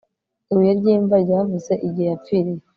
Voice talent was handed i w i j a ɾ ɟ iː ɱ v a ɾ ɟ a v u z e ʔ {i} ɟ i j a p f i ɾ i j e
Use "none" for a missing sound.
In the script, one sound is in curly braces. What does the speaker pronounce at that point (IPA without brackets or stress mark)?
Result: i